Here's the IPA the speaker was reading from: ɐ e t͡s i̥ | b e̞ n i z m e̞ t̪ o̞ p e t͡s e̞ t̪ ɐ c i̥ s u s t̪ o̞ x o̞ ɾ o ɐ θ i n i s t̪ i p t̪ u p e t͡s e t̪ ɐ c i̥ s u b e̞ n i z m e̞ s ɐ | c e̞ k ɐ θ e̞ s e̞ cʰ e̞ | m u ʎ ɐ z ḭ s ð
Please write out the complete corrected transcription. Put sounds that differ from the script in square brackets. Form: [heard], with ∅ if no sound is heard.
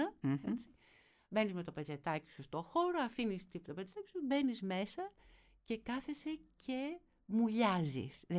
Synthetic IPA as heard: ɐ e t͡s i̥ | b e̞ n i z m e̞ t̪ o̞ p e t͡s e̞ t̪ ɐ c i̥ s u s t̪ o̞ x o̞ ɾ o ɐ [f] i n i s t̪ i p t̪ [o] p e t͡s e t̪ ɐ c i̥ s u b e̞ n i z m e̞ s ɐ | c e̞ k ɐ θ e̞ s e̞ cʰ e̞ | m u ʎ ɐ z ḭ s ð